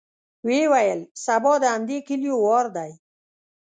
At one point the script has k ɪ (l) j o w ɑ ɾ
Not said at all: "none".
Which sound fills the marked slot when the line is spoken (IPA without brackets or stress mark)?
l